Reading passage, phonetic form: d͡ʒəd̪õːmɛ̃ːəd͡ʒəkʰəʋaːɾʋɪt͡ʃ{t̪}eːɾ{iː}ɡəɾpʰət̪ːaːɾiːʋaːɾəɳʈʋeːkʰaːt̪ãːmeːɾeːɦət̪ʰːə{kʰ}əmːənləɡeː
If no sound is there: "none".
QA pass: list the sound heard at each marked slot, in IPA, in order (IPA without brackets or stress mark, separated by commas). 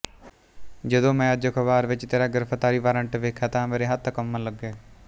t̪, aː, k